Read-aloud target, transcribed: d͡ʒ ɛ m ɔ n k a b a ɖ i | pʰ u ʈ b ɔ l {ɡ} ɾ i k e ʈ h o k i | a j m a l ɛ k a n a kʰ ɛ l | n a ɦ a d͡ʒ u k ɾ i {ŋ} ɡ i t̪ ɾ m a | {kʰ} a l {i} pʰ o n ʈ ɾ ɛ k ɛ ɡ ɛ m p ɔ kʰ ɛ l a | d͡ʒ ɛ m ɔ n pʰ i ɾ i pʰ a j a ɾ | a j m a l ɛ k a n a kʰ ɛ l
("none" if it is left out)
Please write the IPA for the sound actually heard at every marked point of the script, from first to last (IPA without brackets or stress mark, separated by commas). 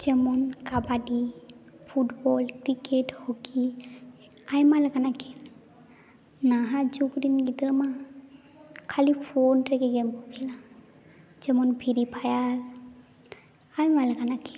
k, n, kʰ, i